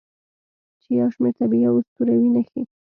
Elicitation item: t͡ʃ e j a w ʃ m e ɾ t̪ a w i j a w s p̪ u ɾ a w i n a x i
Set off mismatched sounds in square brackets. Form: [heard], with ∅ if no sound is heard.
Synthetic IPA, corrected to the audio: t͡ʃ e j a w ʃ m e ɾ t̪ a [b] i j a w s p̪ u ɾ a w i n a x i